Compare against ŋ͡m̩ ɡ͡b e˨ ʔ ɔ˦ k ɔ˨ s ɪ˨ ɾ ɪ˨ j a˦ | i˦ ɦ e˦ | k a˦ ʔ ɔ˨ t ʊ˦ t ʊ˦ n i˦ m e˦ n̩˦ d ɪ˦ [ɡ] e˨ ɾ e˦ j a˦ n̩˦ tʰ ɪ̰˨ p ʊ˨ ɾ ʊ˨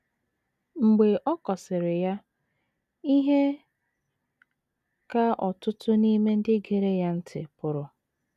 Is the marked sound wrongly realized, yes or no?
no